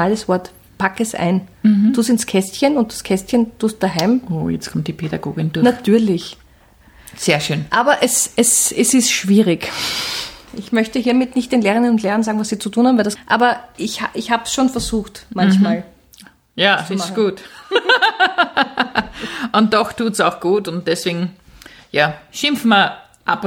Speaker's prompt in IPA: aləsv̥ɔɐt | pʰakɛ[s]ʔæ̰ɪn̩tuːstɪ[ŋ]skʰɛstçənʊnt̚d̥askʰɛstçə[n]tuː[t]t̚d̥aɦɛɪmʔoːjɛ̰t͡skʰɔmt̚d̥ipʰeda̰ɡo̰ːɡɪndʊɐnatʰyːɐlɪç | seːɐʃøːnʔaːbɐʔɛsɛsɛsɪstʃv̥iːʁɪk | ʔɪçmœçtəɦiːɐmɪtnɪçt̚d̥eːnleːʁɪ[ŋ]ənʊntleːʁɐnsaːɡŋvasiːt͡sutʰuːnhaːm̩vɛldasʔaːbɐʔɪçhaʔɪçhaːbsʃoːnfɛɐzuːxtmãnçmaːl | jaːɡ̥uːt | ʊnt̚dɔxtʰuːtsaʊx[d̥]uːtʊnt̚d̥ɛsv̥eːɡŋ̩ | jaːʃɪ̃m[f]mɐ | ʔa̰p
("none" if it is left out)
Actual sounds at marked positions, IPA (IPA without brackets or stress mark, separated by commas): s, n, n, s, n, ɡ̥, f